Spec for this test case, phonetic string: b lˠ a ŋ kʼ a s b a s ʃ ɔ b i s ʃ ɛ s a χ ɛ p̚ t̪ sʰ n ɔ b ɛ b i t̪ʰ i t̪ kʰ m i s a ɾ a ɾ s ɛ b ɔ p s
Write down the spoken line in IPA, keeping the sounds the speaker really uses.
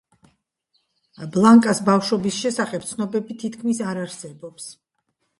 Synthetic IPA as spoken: b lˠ a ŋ kʼ a s b a f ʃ ɔ b i s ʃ ɛ s a χ ɛ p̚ t̪ sʰ n ɔ b ɛ b i t̪ʰ i t̪ kʰ m i s a ɾ a ɾ s ɛ b ɔ p s